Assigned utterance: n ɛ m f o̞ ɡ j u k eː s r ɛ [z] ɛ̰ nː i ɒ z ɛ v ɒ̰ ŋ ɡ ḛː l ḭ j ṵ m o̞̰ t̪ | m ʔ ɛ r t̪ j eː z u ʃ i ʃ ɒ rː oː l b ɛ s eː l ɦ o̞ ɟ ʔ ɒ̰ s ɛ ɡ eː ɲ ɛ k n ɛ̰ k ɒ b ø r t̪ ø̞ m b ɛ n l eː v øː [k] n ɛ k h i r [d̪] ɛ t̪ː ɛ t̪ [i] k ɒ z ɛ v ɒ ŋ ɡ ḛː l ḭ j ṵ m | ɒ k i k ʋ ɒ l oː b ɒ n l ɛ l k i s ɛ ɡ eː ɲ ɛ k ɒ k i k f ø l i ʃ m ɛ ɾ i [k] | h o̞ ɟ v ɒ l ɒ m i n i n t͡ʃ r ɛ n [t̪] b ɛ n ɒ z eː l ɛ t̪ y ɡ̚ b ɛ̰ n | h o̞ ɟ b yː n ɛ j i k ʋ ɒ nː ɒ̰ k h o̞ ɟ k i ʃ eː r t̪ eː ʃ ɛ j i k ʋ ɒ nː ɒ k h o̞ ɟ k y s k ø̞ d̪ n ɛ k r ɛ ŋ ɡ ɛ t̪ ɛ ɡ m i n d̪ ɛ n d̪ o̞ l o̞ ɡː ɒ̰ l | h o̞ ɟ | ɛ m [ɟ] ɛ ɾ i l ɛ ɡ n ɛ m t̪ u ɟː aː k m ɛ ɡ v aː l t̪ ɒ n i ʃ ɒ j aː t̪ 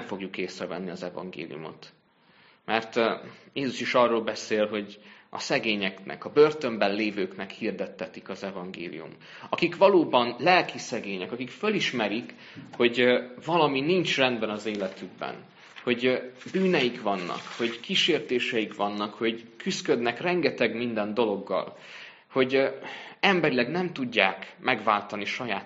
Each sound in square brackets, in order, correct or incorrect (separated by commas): incorrect, correct, correct, correct, correct, incorrect, incorrect